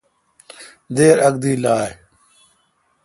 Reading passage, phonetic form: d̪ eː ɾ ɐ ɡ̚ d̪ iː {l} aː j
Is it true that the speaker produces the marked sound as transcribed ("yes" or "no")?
yes